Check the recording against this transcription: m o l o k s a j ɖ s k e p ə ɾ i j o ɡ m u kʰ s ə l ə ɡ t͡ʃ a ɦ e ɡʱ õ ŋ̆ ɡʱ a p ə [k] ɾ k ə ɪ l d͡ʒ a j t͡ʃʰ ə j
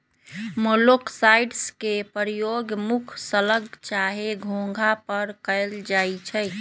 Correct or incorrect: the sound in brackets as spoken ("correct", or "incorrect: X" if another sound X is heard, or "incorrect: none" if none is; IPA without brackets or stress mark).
incorrect: none